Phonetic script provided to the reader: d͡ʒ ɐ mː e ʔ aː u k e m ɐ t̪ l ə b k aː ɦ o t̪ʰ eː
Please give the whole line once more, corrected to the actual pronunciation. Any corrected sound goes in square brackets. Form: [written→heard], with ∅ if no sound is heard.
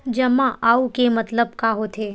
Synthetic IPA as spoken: d͡ʒ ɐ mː [e→a] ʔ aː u k e m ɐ t̪ l ə b k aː ɦ o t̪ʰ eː

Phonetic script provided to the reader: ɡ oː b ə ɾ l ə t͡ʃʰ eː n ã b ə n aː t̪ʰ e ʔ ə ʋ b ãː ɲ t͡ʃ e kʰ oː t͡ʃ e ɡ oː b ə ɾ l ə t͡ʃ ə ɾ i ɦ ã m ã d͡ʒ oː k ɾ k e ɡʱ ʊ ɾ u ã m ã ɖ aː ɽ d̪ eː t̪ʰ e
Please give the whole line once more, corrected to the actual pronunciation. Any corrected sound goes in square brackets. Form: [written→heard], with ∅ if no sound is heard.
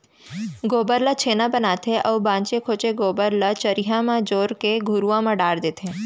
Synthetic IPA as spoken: ɡ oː b ə ɾ l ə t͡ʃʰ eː n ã b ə n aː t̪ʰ e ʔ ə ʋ b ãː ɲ t͡ʃ e kʰ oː t͡ʃ e ɡ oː b ə ɾ l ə t͡ʃ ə ɾ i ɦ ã m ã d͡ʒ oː [k→∅] ɾ k e ɡʱ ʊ ɾ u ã m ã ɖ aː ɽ d̪ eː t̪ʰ e

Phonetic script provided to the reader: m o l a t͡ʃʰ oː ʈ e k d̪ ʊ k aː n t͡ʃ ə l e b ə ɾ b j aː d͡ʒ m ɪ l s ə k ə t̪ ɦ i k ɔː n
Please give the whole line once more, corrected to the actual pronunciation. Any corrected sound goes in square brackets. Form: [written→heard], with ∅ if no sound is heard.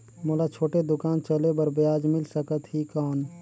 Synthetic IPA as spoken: m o l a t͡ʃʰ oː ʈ e [k→∅] d̪ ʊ k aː n t͡ʃ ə l e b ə ɾ b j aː d͡ʒ m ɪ l s ə k ə t̪ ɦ i k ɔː n

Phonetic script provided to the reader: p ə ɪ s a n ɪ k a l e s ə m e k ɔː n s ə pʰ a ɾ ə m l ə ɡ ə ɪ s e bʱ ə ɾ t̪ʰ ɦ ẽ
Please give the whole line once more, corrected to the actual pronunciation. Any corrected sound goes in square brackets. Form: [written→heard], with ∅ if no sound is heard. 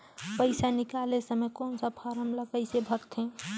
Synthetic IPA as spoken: p ə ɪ s a n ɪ k a l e s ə m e k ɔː n s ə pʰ a ɾ ə m l ə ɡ ə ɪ s e bʱ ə ɾ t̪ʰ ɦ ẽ

